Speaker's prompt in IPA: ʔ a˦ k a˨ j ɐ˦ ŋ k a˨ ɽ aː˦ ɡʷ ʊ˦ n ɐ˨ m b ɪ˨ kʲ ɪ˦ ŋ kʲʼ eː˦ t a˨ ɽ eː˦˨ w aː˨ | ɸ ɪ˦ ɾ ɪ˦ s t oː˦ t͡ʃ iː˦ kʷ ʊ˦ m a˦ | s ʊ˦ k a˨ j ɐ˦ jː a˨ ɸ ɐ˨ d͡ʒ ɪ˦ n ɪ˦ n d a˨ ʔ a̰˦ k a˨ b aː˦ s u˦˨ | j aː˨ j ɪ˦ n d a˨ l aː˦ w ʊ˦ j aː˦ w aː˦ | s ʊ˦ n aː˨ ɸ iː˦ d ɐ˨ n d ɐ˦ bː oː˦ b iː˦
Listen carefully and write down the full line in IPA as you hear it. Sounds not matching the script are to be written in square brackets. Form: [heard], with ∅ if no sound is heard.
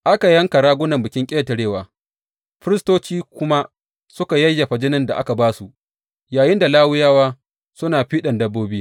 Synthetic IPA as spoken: ʔ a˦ k a˨ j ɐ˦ ŋ k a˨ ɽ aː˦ ɡʷ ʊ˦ n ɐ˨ m b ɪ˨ kʲ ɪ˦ ŋ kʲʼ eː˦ t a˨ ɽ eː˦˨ w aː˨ | ɸ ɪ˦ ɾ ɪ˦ s t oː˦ t͡ʃ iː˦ kʷ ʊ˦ m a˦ | s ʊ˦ k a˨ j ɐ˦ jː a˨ ɸ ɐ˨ d͡ʒ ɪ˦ n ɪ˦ n d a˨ ʔ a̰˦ k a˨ b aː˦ s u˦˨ | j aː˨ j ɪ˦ n d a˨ l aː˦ w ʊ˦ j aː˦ w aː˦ | s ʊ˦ n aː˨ ɸ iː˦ [ɗ] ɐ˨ n d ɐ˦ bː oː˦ b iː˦

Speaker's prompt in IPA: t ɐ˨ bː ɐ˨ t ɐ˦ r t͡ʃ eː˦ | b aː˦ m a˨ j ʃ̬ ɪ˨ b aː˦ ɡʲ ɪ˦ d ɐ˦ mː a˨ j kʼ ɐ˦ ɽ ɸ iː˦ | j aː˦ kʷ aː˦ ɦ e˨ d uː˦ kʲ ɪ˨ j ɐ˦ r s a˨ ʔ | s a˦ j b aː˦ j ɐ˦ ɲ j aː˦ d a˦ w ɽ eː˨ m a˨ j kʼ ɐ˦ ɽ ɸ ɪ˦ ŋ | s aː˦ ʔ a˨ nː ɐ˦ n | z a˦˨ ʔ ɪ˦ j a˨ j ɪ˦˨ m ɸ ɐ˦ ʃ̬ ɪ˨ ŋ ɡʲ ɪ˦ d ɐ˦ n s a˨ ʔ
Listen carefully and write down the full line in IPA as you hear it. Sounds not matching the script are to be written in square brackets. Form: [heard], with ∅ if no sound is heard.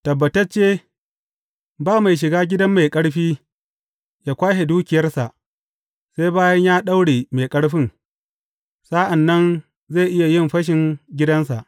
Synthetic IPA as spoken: t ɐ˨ bː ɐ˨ t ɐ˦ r t͡ʃ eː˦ | b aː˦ m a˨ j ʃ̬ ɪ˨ [ɡ] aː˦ ɡʲ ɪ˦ d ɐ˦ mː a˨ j kʼ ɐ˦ ɽ ɸ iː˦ | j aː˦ kʷ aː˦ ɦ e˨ d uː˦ kʲ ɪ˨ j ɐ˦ r s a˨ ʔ | s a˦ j b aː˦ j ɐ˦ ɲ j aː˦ [ɗ] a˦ w ɽ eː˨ m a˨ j kʼ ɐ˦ ɽ ɸ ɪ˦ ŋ | s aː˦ ʔ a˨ nː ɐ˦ n | z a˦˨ ʔ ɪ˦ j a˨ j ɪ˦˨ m ɸ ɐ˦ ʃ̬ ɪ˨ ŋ ɡʲ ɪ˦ d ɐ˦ n s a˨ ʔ

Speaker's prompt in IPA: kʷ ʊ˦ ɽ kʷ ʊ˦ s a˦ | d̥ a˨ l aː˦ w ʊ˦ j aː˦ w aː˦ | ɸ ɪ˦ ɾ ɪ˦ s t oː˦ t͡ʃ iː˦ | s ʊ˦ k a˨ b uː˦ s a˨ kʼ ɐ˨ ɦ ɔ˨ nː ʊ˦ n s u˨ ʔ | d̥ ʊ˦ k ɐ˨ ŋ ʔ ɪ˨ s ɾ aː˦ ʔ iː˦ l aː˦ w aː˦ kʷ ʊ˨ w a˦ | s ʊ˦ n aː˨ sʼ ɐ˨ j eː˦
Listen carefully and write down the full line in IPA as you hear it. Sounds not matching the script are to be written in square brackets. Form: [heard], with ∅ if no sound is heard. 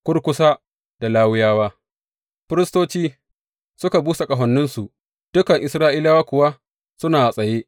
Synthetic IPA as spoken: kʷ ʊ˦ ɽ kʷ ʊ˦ s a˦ | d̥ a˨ l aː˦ w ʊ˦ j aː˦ w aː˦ | ɸ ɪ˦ ɾ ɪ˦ s t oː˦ t͡ʃ iː˦ | s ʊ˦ k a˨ b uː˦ s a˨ kʼ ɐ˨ ɦ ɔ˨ nː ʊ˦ n s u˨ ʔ | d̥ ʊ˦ k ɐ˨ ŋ ʔ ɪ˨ s ɾ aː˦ ʔ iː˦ l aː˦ w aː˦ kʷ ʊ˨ w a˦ | s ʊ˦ n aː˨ sʼ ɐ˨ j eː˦

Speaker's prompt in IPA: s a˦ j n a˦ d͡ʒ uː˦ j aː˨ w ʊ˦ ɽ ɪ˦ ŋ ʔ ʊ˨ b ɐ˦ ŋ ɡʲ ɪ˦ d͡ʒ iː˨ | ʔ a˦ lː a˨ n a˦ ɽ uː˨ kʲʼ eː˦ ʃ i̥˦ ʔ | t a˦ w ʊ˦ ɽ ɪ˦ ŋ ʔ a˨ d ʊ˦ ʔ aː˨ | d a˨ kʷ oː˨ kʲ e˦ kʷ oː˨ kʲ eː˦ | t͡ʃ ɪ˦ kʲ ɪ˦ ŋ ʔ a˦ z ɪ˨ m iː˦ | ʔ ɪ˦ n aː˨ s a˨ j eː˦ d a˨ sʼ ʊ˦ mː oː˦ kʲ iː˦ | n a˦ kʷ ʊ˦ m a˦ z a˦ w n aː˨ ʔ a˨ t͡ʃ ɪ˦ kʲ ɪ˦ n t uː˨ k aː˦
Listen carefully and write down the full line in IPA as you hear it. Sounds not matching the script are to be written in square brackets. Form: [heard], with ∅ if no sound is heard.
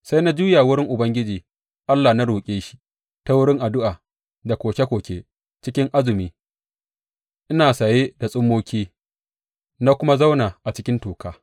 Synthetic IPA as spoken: s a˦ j n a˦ d͡ʒ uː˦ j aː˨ w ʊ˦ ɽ ɪ˦ ŋ ʔ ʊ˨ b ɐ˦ ŋ ɡʲ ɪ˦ d͡ʒ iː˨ | ʔ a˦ lː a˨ n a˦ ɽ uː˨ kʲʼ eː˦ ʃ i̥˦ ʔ | t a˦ w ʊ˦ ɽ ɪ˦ ŋ ʔ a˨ d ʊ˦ ʔ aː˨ | d a˨ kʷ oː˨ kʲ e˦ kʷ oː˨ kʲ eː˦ | t͡ʃ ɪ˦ kʲ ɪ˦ ŋ ʔ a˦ z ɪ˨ m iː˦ | ʔ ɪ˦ n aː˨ s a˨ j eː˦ d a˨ sʼ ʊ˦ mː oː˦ kʲ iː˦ | n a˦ kʷ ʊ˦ m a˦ z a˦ w n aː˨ ʔ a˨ t͡ʃ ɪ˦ kʲ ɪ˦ n t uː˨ k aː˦

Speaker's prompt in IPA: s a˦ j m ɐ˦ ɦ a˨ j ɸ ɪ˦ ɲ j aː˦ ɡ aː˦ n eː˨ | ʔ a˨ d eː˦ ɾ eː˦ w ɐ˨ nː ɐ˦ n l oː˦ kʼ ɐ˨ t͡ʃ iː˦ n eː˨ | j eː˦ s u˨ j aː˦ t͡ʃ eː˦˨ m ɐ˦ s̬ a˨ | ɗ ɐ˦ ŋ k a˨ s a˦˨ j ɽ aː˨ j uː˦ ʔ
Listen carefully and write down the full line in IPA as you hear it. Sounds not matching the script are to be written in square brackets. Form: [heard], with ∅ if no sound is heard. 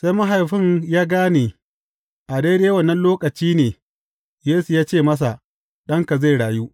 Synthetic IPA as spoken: s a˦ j m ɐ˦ ɦ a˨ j ɸ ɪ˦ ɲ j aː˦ ɡ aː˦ n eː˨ | ʔ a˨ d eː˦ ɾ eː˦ w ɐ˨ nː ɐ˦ n l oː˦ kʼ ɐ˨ t͡ʃ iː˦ n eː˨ | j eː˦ s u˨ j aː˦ t͡ʃ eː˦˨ m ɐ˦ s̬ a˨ | ɗ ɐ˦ ŋ k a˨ [z] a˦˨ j ɽ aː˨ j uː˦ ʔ

